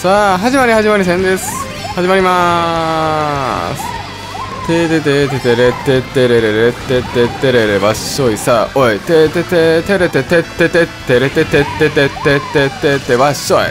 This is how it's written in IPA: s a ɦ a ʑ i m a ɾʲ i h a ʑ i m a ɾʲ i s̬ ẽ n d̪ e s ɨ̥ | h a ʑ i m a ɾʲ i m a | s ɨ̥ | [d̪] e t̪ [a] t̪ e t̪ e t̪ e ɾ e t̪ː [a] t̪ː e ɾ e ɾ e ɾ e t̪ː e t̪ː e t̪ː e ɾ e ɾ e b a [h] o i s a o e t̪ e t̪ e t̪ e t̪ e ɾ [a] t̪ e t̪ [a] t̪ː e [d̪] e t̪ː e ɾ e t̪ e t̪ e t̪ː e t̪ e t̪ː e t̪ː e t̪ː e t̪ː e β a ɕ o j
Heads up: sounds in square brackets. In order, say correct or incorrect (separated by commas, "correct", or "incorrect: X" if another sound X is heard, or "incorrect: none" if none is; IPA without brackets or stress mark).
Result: incorrect: t̪, incorrect: e, incorrect: e, incorrect: ɕ, incorrect: e, incorrect: e, incorrect: t̪